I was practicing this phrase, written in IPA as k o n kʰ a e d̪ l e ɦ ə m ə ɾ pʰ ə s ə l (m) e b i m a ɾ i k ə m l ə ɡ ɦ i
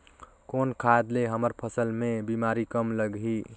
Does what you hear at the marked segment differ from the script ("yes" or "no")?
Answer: no